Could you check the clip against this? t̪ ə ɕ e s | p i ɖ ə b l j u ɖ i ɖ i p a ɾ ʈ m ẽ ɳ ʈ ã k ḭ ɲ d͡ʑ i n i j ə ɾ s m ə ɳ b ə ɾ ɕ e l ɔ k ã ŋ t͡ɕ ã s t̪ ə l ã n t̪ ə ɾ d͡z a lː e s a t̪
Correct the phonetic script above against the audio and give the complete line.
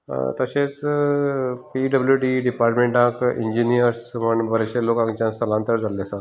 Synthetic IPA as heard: t̪ ə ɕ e t͡s | p i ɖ ə b l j u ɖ i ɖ i p a ɾ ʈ m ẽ ɳ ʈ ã k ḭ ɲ d͡ʑ i n i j ə ɾ s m ə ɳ b ə ɾ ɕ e l o k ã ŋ t͡ɕ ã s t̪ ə l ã n t̪ ə ɾ d͡z a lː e s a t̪